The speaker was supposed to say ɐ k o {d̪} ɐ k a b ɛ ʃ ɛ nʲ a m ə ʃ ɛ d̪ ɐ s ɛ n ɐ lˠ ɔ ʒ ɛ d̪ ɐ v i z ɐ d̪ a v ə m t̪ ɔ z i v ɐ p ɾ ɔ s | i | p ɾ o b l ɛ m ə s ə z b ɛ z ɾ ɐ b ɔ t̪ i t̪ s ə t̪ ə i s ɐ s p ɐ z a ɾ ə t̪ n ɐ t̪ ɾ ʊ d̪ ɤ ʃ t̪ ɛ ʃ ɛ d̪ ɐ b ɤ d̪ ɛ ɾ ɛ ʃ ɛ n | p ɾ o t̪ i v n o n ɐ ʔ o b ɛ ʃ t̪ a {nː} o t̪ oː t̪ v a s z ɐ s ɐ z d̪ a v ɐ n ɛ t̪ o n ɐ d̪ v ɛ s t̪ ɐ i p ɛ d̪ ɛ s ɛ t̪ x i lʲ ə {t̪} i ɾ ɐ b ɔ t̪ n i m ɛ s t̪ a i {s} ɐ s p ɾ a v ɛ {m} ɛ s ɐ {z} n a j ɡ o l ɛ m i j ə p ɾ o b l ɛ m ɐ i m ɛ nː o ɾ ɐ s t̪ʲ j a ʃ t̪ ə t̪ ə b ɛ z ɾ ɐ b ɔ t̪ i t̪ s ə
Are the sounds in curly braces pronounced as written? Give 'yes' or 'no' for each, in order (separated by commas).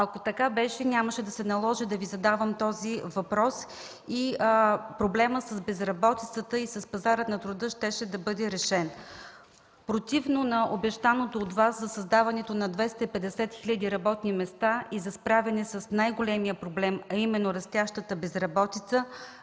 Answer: no, no, no, no, no, no